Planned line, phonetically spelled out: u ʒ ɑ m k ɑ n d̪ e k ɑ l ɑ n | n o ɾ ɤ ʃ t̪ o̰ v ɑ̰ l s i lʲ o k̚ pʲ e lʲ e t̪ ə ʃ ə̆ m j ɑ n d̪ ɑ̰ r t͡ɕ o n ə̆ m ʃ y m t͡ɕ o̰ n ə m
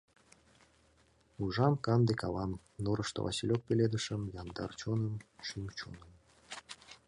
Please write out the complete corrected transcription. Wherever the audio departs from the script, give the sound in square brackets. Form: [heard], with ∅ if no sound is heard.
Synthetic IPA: u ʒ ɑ m k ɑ n d̪ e k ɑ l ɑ [m] | n o ɾ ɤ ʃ t̪ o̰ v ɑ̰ [∅] s i lʲ o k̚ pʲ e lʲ e [d̪] ə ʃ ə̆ m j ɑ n d̪ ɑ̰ r t͡ɕ o n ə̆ m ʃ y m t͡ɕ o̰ n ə m